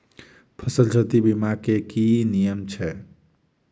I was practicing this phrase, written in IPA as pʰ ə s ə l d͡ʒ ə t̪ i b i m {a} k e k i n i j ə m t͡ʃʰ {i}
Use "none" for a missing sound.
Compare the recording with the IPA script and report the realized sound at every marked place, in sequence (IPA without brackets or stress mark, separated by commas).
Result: a, ɛ